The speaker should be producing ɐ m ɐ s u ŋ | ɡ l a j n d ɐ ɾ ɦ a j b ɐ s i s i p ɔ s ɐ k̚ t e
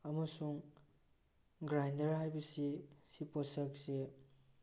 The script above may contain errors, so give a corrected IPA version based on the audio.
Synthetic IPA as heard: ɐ m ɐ s u ŋ | ɡ ɾ a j n d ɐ ɾ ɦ a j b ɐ s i s i p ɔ s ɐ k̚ s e